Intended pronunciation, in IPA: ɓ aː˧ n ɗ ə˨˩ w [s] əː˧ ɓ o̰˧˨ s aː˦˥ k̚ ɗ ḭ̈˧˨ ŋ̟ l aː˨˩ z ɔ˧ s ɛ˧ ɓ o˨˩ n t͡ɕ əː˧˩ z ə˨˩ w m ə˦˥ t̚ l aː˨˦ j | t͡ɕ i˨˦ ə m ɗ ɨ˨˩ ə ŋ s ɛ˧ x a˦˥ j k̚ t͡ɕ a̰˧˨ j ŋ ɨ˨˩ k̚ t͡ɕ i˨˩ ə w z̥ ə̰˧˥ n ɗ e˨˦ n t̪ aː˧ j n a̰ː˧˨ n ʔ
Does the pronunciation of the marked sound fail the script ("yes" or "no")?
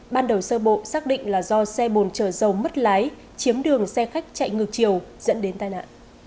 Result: no